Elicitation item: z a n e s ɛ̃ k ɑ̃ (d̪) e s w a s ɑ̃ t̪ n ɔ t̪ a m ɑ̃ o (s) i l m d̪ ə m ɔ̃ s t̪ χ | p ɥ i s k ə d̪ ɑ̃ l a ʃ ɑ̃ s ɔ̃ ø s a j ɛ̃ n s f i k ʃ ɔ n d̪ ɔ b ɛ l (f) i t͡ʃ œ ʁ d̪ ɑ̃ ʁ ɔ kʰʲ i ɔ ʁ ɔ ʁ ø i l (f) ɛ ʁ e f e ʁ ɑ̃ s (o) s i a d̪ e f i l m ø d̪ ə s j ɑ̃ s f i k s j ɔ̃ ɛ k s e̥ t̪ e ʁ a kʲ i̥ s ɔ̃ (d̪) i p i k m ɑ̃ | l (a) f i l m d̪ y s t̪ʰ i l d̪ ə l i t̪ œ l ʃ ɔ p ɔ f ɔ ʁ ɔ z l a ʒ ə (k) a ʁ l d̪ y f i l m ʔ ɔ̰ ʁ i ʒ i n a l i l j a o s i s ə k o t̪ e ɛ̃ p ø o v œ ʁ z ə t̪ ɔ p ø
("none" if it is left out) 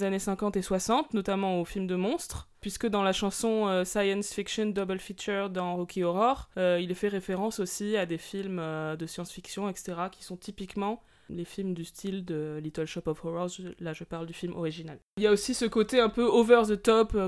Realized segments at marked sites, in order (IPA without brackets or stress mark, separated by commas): t̪, f, f, f, o, t̪, e, p